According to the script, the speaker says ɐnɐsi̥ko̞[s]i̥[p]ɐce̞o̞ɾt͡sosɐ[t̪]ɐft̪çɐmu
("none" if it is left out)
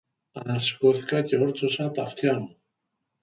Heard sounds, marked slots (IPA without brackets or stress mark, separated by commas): θ, k, t̪